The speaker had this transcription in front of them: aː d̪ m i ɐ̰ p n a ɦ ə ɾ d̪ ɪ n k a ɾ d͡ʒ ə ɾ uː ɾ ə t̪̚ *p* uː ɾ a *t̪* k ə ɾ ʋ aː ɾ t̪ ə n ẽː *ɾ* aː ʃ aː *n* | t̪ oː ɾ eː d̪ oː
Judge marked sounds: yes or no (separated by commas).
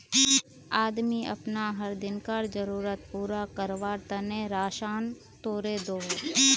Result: yes, no, yes, yes